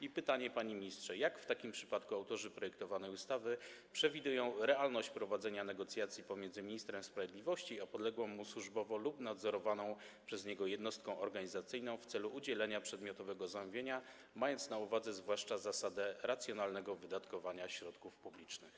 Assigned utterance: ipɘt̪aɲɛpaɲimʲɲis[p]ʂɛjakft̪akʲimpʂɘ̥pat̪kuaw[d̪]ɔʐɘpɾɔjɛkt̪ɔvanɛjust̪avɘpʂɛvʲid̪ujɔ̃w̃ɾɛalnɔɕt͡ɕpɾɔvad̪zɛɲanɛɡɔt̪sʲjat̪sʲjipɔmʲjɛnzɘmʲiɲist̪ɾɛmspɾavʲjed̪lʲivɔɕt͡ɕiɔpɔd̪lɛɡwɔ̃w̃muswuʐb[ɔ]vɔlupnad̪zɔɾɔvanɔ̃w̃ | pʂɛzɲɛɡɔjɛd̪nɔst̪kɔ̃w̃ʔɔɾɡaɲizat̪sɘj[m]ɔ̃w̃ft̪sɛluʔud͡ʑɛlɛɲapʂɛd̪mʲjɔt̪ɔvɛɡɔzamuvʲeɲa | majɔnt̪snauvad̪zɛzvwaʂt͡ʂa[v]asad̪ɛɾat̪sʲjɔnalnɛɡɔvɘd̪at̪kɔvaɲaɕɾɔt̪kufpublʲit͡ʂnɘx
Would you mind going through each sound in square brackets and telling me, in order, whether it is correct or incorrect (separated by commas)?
incorrect, incorrect, correct, incorrect, incorrect